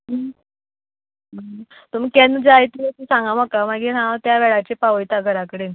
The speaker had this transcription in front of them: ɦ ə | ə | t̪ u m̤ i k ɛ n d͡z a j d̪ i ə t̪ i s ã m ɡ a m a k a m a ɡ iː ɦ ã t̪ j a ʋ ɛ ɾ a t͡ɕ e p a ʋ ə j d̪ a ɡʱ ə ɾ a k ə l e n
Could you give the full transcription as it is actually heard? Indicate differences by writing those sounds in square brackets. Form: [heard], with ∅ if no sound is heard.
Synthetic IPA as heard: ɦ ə | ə | t̪ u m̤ i k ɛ n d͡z a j [t̪] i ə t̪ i s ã [ŋ] ɡ a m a k a m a ɡ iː ɦ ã t̪ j a ʋ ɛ [ɭ] a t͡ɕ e p a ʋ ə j [t̪] a ɡʱ ə ɾ a k ə [ɽ] e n

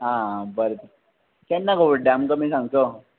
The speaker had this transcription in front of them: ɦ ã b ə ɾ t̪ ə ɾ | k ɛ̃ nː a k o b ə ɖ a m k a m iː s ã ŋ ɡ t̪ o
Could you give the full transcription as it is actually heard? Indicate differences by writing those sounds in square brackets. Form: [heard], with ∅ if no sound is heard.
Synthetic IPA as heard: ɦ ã b ə ɾ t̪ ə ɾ | k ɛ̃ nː a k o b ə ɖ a m k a m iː s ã ŋ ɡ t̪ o

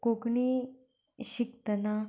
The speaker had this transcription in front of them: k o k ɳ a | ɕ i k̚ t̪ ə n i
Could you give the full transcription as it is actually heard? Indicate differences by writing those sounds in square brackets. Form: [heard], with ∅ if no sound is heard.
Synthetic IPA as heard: k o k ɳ [i] | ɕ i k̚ t̪ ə n [a]

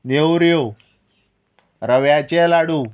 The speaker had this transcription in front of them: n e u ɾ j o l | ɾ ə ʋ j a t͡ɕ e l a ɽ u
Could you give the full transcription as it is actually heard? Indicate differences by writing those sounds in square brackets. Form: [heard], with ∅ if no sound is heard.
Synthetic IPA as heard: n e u ɾ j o [∅] | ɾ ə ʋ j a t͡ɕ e l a ɽ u

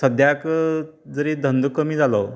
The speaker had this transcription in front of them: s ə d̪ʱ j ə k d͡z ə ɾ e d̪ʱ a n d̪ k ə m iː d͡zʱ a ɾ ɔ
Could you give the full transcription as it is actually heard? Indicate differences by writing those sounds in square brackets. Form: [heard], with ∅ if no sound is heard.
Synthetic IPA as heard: s ə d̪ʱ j [a] k d͡z ə ɾ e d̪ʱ [ə] n d̪ k ə m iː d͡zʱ a [l] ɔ

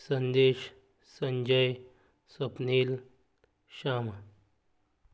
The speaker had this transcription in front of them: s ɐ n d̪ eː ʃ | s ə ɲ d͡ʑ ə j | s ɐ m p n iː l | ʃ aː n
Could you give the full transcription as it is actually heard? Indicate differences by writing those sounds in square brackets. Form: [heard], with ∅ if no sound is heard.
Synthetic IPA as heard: s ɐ n d̪ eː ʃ | s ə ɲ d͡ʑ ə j | s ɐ [∅] p n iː l | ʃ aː [m]

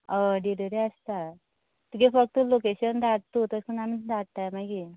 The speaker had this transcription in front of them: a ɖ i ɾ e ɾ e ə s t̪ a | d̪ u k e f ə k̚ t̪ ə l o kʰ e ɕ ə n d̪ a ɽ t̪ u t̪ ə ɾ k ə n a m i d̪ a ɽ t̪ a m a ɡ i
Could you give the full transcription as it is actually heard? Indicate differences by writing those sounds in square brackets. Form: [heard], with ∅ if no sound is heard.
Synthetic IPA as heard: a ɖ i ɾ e ɾ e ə s t̪ a | [t̪] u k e f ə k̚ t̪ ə l o [k] e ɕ ə n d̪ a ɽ t̪ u t̪ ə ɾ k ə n a m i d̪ a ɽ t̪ a m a ɡ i

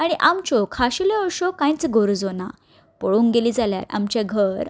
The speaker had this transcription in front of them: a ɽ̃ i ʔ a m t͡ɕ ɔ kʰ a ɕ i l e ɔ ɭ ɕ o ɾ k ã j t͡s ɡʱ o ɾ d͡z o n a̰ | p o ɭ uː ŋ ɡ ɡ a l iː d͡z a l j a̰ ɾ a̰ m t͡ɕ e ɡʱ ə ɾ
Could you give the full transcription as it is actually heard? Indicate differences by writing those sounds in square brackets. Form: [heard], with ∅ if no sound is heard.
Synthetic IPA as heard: a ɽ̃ i ʔ a m t͡ɕ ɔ kʰ a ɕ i l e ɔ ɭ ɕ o [∅] k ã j t͡s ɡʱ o ɾ d͡z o n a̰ | p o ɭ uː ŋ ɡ ɡ [e] l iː d͡z a l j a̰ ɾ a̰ m t͡ɕ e ɡʱ ə ɾ

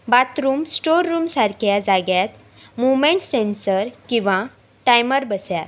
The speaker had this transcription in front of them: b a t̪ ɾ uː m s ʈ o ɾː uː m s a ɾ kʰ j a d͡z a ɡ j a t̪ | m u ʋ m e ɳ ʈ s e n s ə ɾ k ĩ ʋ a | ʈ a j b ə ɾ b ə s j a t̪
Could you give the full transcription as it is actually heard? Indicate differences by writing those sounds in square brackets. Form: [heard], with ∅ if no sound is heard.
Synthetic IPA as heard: b a t̪ ɾ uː m s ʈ o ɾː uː m s a ɾ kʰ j a d͡z a ɡ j a t̪ | m u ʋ m e ɳ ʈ s e n s ə ɾ k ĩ ʋ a | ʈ a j [m] ə ɾ b ə s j a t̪

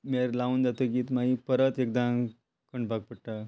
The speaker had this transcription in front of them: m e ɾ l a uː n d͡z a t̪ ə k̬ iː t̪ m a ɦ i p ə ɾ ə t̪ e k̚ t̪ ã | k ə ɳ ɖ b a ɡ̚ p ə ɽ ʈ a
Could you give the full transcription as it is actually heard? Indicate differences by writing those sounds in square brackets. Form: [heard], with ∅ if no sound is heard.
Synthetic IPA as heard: m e ɾ l a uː n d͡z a t̪ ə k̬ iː t̪ m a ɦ i p ə ɾ ə t̪ e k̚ [d̪] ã | k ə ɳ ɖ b a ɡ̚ p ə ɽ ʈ a

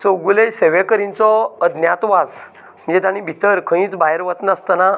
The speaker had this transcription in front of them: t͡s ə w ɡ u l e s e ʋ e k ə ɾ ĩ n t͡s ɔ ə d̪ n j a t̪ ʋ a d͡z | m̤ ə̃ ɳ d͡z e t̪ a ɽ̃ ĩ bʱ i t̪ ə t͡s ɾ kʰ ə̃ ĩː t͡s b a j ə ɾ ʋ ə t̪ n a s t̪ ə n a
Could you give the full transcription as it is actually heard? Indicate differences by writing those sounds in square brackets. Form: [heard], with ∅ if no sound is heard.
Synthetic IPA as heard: t͡s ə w ɡ u l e s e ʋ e k ə ɾ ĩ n t͡s ɔ ə d̪ n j a t̪ ʋ a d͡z | m̤ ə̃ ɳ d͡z e t̪ a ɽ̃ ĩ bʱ i t̪ ə [∅] ɾ kʰ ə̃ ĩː t͡s b a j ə ɾ ʋ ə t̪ n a s t̪ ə n a

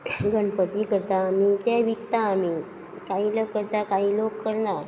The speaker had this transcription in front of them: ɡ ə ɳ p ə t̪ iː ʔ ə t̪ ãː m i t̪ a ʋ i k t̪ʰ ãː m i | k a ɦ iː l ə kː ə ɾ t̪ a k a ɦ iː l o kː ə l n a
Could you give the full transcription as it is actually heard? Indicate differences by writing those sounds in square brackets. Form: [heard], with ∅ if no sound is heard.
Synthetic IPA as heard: ɡ ə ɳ p ə t̪ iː [k] ə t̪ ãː m i t̪ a ʋ i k [t̪] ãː m i | k a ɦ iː l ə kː ə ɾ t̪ a k a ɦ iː l o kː ə [ɾ] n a

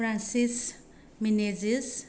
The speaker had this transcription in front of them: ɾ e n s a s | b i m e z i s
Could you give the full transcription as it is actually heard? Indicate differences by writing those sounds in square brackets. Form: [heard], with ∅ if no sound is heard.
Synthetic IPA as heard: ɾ [a] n s [i] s | [m] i [n] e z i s

